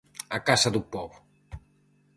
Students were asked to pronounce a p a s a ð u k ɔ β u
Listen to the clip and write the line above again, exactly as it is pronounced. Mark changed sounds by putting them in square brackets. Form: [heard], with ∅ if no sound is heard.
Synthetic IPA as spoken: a [k] a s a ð u [p] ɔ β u